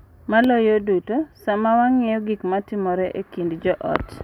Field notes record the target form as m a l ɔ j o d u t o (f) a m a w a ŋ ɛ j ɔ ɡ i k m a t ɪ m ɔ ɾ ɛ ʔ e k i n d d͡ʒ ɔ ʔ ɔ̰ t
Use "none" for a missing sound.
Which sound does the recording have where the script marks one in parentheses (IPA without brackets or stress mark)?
s